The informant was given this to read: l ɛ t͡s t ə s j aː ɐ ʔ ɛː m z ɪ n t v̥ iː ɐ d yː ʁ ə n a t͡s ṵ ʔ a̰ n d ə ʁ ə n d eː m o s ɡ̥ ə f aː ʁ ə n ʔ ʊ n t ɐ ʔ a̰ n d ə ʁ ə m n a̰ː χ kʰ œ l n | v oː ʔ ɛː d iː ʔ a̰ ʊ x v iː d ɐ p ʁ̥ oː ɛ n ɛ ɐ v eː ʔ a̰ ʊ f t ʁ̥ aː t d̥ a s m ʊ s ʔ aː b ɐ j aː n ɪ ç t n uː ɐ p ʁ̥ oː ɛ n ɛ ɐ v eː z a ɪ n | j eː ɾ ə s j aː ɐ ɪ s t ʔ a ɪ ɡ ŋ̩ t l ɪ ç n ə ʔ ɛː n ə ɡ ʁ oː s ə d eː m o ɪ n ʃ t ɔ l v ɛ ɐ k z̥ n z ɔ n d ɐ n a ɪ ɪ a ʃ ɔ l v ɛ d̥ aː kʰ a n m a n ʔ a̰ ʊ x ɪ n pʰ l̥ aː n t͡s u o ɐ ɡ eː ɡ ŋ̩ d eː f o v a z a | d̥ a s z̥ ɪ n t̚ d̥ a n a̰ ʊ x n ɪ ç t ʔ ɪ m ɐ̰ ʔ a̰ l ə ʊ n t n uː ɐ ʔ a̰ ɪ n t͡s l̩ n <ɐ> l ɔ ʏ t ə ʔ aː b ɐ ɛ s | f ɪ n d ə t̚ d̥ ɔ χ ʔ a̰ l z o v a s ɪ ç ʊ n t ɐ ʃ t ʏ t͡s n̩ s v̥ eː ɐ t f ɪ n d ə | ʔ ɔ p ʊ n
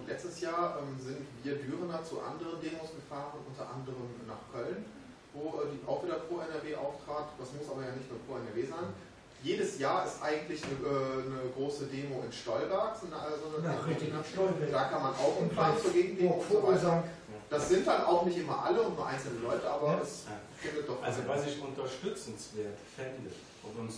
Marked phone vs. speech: incorrect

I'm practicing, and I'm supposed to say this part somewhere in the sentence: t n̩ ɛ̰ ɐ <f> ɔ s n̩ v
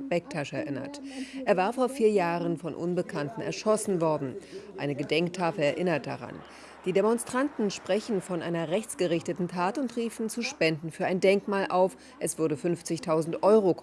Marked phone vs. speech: incorrect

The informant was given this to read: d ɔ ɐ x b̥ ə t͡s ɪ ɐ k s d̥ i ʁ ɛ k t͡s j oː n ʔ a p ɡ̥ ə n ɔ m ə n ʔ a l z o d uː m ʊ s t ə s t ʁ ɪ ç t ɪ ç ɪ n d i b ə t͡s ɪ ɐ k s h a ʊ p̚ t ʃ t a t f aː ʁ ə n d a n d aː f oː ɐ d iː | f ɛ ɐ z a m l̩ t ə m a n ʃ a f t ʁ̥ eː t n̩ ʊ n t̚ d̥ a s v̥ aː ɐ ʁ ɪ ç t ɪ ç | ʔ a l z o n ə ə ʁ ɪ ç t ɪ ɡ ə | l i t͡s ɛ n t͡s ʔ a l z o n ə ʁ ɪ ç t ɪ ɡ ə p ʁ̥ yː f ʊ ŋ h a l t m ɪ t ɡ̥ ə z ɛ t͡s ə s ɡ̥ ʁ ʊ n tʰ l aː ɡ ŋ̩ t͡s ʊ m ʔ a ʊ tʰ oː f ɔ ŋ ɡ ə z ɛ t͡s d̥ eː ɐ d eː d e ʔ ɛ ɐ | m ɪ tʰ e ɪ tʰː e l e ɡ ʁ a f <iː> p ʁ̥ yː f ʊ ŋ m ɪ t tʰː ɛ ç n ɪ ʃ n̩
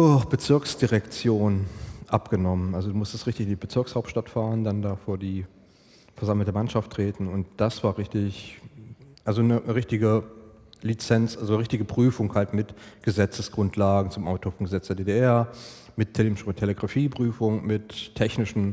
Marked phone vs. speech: correct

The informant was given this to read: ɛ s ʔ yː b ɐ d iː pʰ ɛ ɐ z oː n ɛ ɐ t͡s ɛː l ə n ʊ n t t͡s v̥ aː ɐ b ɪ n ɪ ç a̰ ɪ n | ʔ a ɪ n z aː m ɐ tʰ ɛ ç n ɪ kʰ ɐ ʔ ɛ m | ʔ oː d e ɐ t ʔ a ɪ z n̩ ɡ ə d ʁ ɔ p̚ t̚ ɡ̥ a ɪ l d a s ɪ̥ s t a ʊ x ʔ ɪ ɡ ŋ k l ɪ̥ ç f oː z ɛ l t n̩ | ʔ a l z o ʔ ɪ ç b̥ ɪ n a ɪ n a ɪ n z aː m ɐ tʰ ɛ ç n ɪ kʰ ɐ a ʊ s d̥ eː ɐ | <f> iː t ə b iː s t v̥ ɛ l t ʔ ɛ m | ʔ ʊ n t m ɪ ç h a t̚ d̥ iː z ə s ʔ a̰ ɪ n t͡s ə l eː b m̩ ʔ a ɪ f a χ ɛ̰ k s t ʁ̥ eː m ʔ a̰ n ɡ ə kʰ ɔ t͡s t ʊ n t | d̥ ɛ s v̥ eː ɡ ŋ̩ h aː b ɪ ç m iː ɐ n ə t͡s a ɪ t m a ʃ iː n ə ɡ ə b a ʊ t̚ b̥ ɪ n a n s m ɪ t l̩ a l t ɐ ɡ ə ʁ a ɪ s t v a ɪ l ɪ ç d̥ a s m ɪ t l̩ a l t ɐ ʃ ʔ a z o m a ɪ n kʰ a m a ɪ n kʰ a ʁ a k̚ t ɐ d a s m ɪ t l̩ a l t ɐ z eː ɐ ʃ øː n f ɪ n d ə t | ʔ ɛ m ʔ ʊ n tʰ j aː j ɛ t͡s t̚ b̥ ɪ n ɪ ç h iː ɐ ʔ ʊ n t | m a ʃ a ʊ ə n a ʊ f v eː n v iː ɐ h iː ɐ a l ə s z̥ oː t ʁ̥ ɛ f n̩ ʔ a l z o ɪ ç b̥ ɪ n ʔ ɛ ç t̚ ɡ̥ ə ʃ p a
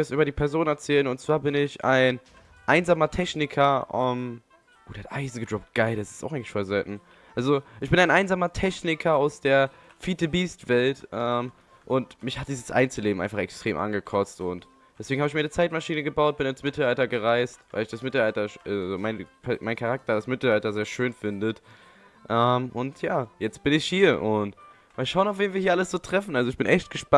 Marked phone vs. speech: correct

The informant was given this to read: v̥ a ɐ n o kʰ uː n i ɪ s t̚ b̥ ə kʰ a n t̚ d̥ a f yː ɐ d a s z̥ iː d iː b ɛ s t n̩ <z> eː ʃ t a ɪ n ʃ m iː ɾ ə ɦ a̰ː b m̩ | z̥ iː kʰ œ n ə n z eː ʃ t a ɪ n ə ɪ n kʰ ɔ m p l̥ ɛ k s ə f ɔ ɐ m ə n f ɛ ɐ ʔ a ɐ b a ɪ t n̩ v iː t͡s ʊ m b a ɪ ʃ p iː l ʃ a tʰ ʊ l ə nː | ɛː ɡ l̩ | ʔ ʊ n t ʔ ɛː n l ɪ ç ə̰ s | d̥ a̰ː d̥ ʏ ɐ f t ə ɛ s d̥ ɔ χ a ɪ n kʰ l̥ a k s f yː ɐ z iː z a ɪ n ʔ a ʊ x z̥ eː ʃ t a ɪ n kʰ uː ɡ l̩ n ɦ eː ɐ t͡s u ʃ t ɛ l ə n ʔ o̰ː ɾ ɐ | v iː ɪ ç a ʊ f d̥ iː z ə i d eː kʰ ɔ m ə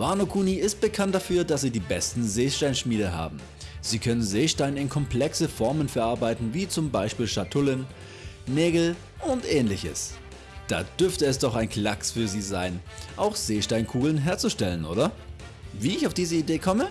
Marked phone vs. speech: correct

